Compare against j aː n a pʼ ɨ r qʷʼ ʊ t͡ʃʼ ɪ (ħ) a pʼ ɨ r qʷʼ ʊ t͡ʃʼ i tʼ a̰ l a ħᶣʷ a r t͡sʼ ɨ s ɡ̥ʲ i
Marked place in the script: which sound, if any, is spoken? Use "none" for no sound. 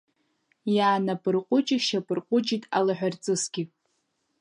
ʃ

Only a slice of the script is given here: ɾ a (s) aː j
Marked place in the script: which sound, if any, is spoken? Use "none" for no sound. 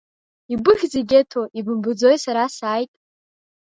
s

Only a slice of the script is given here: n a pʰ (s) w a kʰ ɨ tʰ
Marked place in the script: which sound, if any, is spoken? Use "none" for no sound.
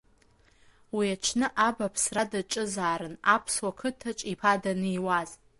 s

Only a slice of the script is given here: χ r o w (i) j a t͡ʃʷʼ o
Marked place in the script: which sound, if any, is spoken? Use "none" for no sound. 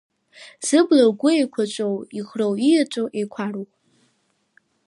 i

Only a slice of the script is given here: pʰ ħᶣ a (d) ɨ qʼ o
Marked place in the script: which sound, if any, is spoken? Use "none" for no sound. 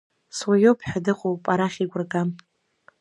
d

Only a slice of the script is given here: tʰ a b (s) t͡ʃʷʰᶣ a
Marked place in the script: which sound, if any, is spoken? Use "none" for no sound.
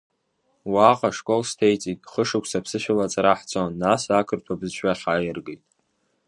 z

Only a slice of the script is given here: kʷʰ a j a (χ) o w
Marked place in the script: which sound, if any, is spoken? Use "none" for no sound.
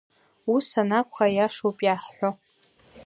ʂ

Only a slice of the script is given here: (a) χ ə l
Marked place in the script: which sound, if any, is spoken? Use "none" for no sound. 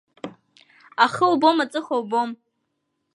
a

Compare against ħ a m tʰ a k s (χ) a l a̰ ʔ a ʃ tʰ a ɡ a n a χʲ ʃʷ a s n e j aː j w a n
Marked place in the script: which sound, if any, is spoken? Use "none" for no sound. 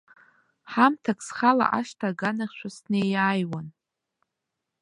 χ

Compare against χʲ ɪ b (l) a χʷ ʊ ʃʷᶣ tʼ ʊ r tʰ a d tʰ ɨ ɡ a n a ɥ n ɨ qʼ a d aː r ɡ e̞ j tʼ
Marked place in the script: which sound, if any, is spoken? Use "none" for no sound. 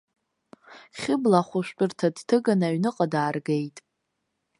l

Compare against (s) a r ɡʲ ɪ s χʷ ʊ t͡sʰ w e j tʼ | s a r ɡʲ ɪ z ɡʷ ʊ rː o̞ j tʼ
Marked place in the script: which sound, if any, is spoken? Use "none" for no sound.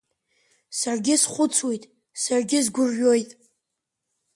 s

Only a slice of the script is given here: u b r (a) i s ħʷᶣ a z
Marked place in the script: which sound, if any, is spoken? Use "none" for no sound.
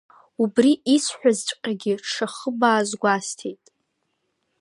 i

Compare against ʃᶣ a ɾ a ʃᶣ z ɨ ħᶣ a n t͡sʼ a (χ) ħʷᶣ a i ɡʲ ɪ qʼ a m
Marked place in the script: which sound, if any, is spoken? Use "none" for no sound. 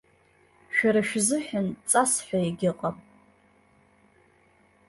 s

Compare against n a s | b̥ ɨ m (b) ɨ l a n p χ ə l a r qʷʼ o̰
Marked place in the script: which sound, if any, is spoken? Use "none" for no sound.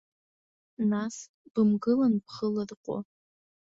ɡ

